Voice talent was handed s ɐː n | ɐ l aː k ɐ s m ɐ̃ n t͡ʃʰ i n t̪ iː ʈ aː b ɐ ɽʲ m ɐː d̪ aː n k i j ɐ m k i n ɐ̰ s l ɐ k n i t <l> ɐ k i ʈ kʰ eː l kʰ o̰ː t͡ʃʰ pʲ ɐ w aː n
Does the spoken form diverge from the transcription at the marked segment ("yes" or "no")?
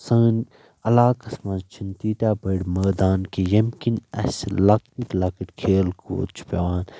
no